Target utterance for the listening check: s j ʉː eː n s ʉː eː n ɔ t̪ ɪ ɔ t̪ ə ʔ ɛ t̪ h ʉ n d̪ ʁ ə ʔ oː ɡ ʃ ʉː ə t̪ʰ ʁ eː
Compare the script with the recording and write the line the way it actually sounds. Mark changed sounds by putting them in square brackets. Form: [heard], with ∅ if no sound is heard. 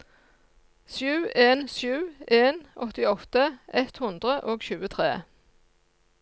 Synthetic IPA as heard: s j ʉː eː n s ʉː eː n ɔ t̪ ɪ ɔ t̪ ə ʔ ɛ t̪ h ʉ n d̪ ʁ ə ʔ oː ɡ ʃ ʉː ə t̪ʰ ʁ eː